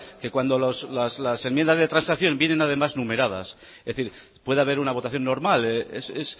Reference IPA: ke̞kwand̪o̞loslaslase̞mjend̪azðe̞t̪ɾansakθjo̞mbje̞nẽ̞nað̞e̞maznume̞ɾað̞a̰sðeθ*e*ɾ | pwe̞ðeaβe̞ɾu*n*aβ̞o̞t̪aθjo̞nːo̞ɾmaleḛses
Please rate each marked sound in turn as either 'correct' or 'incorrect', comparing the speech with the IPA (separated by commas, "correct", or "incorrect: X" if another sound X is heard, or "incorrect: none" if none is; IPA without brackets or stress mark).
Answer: incorrect: i, correct